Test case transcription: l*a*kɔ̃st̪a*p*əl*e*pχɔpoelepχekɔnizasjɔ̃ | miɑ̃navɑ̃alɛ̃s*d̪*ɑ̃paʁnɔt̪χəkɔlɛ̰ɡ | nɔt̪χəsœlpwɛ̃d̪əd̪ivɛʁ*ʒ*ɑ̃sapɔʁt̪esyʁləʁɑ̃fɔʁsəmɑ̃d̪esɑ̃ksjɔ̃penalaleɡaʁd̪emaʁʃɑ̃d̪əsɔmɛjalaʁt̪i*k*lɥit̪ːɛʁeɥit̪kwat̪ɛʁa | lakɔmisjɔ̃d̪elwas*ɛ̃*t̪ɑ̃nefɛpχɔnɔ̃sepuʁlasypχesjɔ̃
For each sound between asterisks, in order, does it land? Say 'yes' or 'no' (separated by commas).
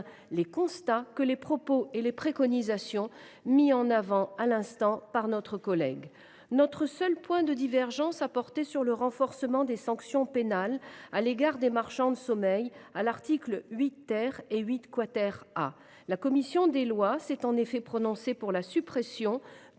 no, no, yes, no, yes, yes, no